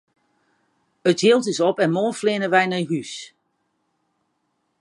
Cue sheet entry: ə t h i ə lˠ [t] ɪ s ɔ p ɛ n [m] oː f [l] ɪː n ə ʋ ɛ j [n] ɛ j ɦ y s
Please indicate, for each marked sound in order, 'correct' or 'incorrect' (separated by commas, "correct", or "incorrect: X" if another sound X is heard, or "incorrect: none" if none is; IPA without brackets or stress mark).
correct, correct, correct, correct